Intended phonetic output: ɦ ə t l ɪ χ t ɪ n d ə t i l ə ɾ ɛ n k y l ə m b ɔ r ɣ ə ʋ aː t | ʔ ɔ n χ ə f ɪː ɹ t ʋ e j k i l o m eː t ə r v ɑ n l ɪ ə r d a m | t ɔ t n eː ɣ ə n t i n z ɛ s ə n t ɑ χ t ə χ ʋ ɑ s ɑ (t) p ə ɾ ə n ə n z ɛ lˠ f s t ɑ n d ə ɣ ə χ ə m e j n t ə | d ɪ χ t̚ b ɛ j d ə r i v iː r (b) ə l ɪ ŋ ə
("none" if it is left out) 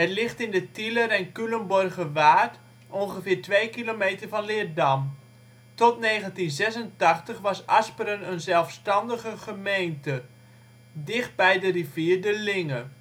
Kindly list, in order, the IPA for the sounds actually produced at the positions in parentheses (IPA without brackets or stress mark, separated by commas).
s, d